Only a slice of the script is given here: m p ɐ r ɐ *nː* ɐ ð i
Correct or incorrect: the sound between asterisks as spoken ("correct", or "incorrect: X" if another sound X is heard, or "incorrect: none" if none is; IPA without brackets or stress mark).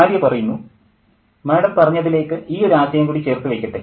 incorrect: ɲː